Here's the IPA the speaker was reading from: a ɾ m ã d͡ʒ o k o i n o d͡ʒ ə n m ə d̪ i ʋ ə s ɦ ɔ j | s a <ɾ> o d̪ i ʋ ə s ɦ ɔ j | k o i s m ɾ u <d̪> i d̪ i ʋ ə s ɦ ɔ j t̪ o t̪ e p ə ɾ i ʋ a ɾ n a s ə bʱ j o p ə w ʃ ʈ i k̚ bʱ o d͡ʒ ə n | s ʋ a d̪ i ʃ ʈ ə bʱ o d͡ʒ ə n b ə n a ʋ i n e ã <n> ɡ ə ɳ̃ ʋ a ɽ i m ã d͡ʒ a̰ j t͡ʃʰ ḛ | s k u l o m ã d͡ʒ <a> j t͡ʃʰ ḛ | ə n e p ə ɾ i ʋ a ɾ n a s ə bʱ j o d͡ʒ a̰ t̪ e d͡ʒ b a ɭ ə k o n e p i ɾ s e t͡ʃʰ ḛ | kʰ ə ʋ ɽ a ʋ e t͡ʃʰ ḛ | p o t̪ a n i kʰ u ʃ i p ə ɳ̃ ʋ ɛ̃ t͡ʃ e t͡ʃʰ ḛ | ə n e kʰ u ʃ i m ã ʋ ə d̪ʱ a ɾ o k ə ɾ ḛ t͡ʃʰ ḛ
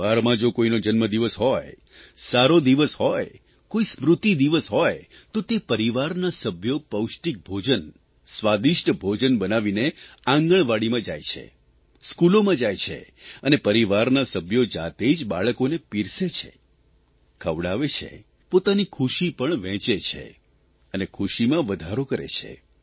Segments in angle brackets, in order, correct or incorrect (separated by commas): correct, incorrect, incorrect, correct